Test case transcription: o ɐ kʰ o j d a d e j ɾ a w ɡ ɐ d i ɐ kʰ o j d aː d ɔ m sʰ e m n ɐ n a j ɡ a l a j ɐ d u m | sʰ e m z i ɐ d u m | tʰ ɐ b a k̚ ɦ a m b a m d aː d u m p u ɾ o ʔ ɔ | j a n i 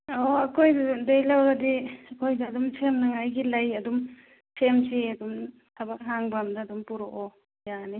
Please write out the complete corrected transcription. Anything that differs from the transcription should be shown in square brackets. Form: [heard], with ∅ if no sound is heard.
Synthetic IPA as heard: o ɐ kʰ o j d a d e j [l] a w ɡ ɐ d i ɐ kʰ o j d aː d [u] m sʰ e m n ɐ [ŋ] a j ɡ [i] l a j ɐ d u m | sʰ e m [s] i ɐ d u m | tʰ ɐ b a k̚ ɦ a [ŋ] b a m d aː d u m p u ɾ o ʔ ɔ | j a n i